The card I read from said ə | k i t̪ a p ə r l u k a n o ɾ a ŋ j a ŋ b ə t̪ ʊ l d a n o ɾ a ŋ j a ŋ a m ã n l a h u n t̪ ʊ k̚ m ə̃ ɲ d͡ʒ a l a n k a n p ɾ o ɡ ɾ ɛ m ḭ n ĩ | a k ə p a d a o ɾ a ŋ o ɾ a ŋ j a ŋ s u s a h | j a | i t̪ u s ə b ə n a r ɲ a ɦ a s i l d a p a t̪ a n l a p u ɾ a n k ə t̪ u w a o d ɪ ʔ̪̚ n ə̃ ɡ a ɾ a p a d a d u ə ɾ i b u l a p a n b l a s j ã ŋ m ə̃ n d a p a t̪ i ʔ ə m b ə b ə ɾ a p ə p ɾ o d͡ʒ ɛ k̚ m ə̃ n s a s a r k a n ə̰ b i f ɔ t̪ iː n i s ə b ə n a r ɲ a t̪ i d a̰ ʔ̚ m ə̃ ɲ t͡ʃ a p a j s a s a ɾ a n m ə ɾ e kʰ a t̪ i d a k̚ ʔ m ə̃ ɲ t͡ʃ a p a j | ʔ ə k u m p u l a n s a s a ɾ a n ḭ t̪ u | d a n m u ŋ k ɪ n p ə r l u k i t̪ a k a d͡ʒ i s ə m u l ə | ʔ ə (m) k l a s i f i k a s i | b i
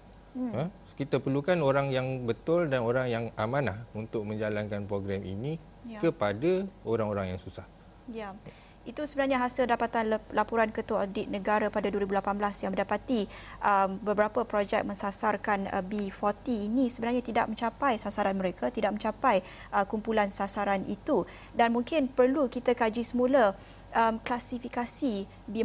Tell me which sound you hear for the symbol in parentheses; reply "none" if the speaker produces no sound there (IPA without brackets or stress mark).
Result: m